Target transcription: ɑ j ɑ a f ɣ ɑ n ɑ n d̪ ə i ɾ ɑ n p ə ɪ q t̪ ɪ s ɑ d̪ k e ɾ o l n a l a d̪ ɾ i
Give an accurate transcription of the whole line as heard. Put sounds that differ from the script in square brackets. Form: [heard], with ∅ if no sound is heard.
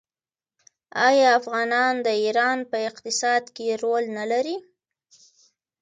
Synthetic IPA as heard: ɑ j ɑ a f ɣ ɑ n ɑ n d̪ ə i ɾ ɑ n p ə ɪ q t̪ ɪ s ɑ d̪ k e ɾ o l n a l a [∅] ɾ i